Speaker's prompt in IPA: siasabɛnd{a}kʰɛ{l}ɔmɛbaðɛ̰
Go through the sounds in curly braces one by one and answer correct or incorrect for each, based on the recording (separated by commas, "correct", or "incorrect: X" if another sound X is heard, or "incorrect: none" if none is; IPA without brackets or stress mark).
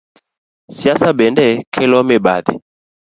incorrect: ɛ, correct